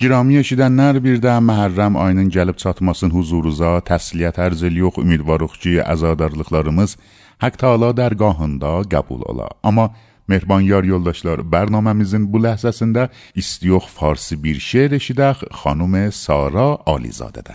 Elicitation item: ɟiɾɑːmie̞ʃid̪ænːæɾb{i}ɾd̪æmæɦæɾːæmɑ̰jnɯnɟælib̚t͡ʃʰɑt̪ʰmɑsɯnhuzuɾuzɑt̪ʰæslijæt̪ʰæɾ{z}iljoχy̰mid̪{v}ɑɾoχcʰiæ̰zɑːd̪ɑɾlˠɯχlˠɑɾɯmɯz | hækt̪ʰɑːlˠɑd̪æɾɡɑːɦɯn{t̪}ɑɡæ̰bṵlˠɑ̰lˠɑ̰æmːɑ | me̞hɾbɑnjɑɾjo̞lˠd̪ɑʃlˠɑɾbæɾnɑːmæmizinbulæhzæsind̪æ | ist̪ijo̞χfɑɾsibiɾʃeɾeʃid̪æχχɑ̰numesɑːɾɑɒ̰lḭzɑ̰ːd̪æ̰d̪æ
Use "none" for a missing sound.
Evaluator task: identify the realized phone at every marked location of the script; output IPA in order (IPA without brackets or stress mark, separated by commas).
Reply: i, z, v, d̪